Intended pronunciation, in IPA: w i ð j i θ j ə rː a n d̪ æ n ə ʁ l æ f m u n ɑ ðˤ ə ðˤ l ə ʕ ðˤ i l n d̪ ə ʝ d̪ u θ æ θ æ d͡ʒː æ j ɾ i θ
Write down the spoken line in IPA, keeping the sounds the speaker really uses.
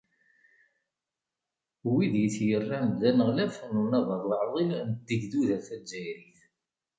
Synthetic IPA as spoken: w i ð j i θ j ə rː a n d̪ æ n ə ʁ l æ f n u n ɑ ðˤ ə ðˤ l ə ʕ ðˤ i l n d̪ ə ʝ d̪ u ð æ θ æ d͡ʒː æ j ɾ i θ